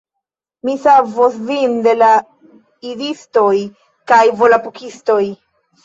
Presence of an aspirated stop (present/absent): absent